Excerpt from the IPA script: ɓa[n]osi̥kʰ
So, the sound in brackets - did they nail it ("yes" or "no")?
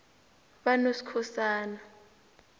yes